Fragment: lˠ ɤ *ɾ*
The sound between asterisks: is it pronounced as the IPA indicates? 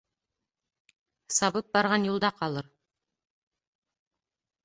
yes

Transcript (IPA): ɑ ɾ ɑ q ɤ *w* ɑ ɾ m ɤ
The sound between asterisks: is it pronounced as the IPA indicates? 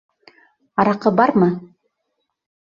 no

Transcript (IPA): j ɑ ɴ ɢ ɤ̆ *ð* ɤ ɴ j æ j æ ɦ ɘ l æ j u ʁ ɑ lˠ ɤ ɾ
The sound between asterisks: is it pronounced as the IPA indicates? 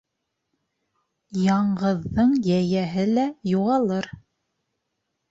no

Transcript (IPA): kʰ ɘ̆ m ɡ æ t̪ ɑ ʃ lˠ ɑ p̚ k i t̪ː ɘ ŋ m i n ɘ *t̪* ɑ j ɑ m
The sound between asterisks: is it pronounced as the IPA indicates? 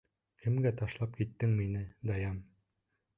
no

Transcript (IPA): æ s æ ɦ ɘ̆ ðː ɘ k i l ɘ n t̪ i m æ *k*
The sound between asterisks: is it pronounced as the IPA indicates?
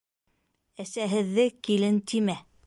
no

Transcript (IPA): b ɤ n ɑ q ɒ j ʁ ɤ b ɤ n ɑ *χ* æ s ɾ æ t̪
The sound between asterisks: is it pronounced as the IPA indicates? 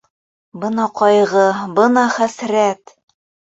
yes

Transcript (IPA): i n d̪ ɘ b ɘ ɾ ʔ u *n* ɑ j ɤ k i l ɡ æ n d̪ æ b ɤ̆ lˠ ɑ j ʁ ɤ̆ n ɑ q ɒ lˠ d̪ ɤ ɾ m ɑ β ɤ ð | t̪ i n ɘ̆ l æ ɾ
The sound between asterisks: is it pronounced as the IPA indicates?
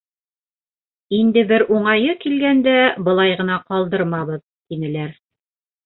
no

